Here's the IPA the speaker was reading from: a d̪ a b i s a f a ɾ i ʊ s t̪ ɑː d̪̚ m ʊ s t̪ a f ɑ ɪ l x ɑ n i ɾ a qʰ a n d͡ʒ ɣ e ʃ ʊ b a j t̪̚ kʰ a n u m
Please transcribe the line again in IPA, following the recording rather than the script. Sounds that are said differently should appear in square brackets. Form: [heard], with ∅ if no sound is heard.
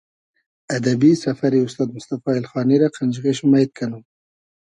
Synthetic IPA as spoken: a d̪ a b i s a f a ɾ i ʊ s t̪ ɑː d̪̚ m ʊ s t̪ a f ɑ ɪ l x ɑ n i ɾ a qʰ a n d͡ʒ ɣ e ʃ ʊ [m] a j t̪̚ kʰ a n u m